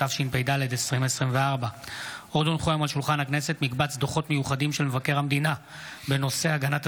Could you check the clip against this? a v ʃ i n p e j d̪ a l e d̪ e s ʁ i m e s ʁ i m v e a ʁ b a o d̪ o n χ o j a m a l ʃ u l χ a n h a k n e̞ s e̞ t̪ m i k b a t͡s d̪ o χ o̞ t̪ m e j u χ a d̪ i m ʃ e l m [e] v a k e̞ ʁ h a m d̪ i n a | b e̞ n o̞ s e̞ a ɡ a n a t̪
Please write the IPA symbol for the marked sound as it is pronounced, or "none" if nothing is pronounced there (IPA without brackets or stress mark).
e